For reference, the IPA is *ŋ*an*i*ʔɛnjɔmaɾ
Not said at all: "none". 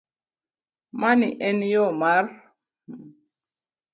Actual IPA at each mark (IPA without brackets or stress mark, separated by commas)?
m, i